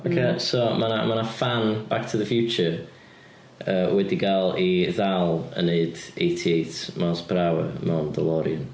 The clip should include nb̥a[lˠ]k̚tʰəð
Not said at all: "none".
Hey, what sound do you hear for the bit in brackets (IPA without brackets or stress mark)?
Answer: none